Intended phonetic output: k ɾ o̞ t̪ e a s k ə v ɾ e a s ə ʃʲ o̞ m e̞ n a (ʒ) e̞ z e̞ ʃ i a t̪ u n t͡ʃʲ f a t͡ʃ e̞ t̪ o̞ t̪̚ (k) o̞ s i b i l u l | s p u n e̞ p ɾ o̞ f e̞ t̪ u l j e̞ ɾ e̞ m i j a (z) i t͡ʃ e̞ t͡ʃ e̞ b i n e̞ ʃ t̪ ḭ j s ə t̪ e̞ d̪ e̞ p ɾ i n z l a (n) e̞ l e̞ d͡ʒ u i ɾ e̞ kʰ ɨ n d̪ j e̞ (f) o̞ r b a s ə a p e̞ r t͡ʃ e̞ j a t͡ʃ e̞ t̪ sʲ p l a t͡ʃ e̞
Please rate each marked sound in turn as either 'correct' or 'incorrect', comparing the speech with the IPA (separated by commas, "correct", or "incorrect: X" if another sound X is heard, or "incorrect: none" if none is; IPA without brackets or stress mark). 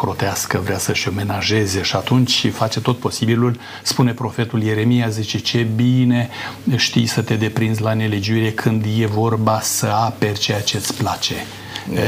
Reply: correct, incorrect: p, correct, correct, incorrect: v